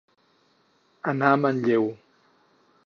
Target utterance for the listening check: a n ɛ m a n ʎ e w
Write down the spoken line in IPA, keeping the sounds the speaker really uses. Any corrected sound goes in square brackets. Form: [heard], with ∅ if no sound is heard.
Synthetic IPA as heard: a n [a] m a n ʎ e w